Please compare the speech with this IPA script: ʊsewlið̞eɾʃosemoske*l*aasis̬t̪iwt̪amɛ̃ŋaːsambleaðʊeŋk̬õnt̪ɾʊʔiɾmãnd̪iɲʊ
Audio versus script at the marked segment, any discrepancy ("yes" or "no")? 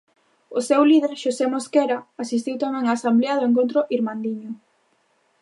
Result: yes